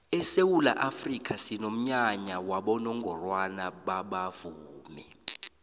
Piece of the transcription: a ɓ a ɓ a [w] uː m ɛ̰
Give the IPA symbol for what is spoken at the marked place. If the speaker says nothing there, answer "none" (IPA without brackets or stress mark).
v